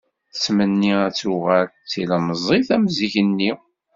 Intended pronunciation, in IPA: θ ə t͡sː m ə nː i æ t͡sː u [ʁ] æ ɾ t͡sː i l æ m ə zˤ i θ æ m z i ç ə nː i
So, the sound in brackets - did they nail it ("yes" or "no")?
yes